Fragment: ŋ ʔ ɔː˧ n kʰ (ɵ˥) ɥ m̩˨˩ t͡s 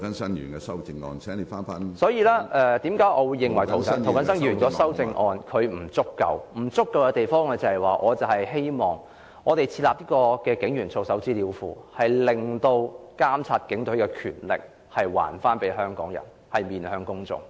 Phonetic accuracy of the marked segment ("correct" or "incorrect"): incorrect